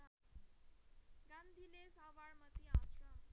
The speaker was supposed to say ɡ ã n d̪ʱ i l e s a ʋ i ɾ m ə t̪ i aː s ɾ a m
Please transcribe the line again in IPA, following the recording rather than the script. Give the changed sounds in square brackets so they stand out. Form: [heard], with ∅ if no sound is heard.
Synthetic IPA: ɡ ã n d̪ʱ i l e s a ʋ [a] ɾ m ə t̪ i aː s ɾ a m